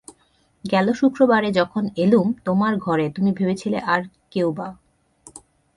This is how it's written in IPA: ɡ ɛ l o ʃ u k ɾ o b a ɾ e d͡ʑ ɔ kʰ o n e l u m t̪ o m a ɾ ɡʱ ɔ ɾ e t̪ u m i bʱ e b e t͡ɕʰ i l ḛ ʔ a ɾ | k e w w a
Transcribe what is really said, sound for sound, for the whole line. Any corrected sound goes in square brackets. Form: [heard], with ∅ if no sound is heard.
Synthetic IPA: ɡ ɛ l o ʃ u k ɾ o b a ɾ e d͡ʑ ɔ kʰ o n e l u m t̪ o m a ɾ ɡʱ ɔ ɾ e t̪ u m i bʱ e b e t͡ɕʰ i l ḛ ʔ a ɾ | k e w [b] a